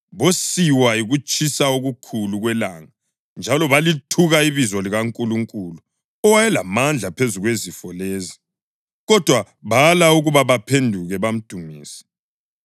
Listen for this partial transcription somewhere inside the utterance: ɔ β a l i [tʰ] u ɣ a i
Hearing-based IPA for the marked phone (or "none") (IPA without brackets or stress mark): tʰ